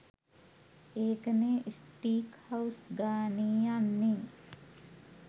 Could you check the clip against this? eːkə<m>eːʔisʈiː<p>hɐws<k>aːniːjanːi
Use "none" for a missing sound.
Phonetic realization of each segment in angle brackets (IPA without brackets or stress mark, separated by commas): n, k, ɡ